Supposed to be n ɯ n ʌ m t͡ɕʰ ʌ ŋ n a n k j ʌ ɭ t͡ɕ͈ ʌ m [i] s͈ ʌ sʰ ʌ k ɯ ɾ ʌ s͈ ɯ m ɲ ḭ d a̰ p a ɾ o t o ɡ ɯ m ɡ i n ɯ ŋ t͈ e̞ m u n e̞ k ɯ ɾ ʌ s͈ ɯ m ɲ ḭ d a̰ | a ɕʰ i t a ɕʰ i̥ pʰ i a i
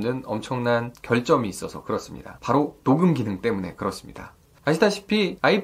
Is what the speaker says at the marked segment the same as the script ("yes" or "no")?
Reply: no